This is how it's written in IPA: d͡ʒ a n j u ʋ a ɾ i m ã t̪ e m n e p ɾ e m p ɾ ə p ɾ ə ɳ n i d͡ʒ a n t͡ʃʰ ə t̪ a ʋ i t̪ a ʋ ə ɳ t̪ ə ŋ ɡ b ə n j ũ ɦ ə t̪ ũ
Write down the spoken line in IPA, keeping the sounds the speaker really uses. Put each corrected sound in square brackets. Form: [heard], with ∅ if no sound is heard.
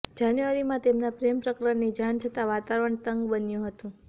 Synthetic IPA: d͡ʒ a n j u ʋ a ɾ i m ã t̪ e m n [a] p ɾ e m p ɾ ə [k] ɾ ə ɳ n i d͡ʒ a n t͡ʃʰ ə t̪ a ʋ [a] t̪ a ʋ ə ɳ t̪ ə ŋ ɡ b ə n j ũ ɦ ə t̪ ũ